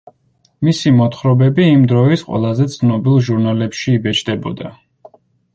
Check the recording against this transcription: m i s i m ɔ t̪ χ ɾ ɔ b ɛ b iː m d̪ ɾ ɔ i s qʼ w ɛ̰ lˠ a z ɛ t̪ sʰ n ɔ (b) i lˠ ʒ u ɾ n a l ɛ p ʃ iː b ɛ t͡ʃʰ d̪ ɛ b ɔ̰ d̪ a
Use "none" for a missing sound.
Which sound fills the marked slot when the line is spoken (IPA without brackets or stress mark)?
b